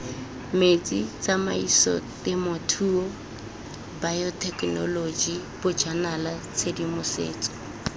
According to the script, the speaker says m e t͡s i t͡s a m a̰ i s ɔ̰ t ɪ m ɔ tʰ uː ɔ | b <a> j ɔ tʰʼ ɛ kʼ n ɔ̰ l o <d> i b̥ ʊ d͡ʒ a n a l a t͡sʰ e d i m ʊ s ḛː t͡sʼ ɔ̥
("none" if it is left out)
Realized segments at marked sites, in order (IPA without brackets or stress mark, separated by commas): a, d͡ʒ